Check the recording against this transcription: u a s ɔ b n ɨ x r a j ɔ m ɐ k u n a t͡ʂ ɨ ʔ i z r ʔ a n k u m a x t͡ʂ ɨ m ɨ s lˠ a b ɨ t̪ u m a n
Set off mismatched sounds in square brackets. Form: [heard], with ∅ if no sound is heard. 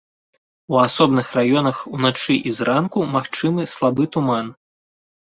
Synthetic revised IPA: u a s ɔ b n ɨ x r a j ɔ [n] ɐ [x] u n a t͡ʂ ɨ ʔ i z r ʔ a n k u m a x t͡ʂ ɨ m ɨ s lˠ a b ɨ t̪ u m a n